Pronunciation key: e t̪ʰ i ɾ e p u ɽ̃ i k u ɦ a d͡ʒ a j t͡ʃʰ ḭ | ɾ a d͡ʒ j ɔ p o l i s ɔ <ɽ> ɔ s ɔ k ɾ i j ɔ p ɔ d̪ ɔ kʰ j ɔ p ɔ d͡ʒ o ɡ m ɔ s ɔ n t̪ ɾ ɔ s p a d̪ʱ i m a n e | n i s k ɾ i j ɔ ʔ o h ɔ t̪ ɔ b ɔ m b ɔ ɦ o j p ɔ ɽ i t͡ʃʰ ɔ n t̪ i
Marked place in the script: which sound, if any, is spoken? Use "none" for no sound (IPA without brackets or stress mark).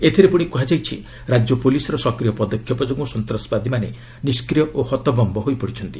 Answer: ɾ